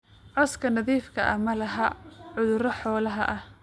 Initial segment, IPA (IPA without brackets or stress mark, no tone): ʕ